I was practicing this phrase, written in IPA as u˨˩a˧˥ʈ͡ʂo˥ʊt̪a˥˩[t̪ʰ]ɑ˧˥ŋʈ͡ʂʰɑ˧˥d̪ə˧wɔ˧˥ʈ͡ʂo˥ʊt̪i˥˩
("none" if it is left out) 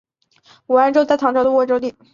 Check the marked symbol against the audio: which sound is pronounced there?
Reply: t̪ʰ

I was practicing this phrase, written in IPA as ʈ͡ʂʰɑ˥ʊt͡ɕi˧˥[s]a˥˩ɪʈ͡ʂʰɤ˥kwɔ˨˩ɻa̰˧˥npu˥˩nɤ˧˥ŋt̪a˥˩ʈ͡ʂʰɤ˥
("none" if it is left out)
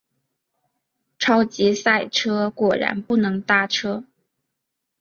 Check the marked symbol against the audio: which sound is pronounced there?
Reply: s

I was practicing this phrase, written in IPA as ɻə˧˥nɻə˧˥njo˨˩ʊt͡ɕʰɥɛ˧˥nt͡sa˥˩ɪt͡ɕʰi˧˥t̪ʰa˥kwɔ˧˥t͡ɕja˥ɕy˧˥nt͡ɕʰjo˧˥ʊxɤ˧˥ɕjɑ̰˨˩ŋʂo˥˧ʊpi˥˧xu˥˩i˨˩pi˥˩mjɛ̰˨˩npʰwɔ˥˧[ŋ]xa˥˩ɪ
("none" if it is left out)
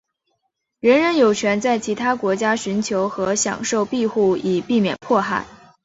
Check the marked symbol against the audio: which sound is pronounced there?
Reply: none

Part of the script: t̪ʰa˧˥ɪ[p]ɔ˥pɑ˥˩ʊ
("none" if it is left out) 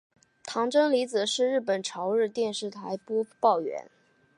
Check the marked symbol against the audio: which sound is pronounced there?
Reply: p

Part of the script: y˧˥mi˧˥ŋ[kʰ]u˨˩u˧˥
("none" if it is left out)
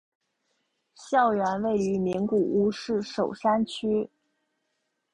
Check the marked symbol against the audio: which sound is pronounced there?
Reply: k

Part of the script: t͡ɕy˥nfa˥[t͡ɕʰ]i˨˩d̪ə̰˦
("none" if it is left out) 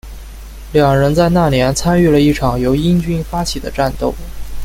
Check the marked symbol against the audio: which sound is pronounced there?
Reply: t͡ɕʰ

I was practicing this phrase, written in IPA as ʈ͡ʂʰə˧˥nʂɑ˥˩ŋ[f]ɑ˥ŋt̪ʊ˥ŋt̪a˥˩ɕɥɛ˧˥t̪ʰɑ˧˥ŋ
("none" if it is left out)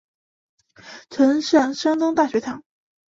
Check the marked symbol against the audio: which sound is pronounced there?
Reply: ʂ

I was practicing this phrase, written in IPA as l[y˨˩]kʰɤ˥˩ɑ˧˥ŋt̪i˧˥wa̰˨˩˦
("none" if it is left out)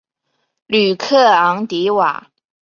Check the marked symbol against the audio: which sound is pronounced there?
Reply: y˨˩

